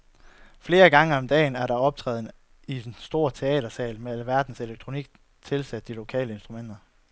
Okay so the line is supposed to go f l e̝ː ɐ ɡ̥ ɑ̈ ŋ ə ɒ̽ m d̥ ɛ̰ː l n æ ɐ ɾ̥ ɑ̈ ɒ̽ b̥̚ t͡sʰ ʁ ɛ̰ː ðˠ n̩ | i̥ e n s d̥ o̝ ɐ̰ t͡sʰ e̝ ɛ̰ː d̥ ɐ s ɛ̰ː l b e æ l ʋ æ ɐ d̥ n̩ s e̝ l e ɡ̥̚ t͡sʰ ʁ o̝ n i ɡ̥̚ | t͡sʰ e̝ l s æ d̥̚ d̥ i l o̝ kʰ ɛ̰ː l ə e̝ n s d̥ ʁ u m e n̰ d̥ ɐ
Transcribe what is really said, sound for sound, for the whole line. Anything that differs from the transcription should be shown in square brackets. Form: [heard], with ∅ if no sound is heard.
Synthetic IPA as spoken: f l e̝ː ɐ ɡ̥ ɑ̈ ŋ ə ɒ̽ m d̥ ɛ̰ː [∅] n æ ɐ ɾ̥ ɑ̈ ɒ̽ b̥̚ t͡sʰ ʁ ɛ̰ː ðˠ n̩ | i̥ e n s d̥ o̝ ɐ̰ t͡sʰ e̝ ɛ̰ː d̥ ɐ s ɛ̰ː l [m] e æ l ʋ æ ɐ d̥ n̩ s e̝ l e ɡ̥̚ t͡sʰ ʁ o̝ n i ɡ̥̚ | t͡sʰ e̝ l s æ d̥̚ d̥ i l o̝ kʰ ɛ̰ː l ə e̝ n s d̥ ʁ u m e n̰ d̥ ɐ